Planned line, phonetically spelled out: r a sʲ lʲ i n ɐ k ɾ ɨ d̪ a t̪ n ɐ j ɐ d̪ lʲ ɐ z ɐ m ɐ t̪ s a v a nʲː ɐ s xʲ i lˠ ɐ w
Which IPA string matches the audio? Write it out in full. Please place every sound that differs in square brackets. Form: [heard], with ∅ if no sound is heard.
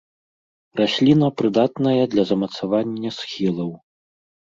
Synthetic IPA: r a sʲ lʲ i n ɐ [p] ɾ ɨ d̪ a t̪ n ɐ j ɐ d̪ lʲ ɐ z ɐ m ɐ t̪ s a v a nʲː ɐ s xʲ i lˠ ɐ w

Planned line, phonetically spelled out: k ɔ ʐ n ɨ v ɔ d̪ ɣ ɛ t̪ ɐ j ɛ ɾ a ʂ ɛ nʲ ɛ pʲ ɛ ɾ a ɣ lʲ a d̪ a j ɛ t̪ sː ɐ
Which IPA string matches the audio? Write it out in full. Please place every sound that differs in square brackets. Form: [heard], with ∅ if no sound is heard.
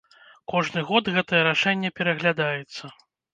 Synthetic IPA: k ɔ ʐ n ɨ [ɣ] ɔ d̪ ɣ ɛ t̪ ɐ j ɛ ɾ a ʂ ɛ [nʲː] ɛ pʲ ɛ ɾ [ɐ] ɣ lʲ a d̪ a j ɛ t̪ sː ɐ

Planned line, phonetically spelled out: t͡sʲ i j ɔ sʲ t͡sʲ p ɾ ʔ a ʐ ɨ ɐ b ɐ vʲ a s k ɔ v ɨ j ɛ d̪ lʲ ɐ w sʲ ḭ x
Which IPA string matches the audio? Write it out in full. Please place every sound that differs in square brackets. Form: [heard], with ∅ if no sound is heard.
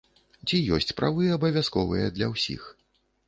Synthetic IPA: t͡sʲ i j ɔ sʲ t͡sʲ p ɾ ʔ a [v] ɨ ɐ b ɐ vʲ a s k ɔ v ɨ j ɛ d̪ lʲ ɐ w sʲ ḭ x

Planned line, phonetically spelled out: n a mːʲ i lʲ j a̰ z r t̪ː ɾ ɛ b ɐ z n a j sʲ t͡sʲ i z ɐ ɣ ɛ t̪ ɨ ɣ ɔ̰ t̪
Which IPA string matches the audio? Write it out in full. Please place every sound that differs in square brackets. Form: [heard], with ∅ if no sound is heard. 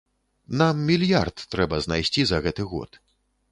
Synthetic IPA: n a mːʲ i lʲ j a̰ [∅] r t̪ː ɾ ɛ b ɐ z n a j sʲ t͡sʲ i z ɐ ɣ ɛ t̪ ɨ ɣ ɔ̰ t̪

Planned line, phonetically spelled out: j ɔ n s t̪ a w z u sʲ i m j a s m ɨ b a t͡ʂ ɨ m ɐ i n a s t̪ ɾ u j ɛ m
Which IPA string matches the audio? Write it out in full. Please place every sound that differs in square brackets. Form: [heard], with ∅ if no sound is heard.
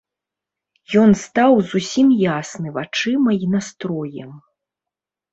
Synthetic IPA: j ɔ n s t̪ a w z u sʲ i m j a s [n] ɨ [v] a t͡ʂ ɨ m ɐ i n a s t̪ ɾ [ɔ] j ɛ m

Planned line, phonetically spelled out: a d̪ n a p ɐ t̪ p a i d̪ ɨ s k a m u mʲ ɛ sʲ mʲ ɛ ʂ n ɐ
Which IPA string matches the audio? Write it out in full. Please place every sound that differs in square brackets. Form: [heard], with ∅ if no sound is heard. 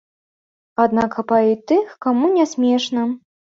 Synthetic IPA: a d̪ n a [k] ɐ [∅] p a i [t̪] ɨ [x] k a m u [nʲ] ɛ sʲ mʲ ɛ ʂ n ɐ

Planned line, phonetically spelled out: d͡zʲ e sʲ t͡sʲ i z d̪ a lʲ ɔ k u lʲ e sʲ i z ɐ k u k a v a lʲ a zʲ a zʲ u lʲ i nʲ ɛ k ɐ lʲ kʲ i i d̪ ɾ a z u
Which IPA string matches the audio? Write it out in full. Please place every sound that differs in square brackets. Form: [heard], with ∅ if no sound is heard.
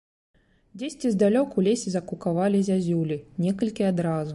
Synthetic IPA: d͡zʲ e sʲ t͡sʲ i z d̪ a lʲ ɔ k u lʲ e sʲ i z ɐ k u k a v a lʲ [i] zʲ a zʲ u lʲ i nʲ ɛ k ɐ lʲ kʲ i [a] d̪ ɾ a z u

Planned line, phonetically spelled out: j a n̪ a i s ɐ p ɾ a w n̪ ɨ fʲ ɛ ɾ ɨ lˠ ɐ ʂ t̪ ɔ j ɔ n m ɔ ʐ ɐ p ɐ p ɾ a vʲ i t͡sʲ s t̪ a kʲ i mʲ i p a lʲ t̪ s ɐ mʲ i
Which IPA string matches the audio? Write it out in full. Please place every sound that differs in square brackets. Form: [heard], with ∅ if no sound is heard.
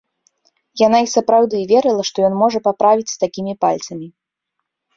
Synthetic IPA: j a n̪ a i s ɐ p ɾ a w [d̪] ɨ [vʲ] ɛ ɾ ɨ lˠ ɐ ʂ t̪ ɔ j ɔ n m ɔ ʐ ɐ p [a] p ɾ a vʲ i t͡sʲ s t̪ a kʲ i mʲ i p a lʲ t̪ s ɐ mʲ i

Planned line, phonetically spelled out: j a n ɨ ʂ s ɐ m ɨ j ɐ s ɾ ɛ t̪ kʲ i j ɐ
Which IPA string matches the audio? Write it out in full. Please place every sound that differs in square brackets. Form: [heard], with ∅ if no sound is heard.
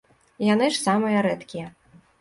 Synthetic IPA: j a n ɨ ʂ s [a] m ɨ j ɐ [∅] ɾ ɛ t̪ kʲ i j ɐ

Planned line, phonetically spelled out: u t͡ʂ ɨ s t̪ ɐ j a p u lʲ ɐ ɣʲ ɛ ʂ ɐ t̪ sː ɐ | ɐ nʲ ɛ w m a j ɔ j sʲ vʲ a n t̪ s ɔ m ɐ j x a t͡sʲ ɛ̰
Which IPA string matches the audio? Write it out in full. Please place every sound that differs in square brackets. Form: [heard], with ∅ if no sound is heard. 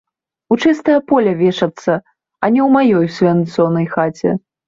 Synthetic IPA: u t͡ʂ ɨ s t̪ ɐ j [ɐ] p [ɔ] lʲ ɐ [vʲ] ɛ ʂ ɐ t̪ sː ɐ | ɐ nʲ ɛ w m a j ɔ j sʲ vʲ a n t̪ s ɔ [n] ɐ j x a t͡sʲ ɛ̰

